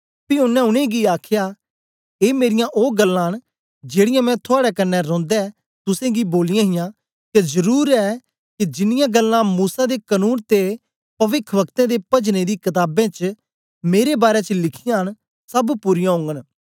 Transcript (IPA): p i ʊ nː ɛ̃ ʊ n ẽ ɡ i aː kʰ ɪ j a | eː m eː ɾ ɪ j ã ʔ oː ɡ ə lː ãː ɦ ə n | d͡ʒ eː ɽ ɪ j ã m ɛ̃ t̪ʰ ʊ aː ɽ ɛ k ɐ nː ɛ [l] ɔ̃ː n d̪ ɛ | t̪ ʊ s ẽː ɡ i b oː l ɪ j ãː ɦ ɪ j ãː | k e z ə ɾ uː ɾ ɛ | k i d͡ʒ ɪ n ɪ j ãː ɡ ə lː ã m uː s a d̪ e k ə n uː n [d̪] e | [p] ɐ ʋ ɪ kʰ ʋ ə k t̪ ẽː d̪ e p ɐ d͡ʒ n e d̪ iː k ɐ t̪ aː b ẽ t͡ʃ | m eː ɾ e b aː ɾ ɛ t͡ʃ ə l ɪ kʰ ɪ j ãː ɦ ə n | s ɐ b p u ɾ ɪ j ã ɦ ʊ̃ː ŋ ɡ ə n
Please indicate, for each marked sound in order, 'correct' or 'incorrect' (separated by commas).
incorrect, incorrect, correct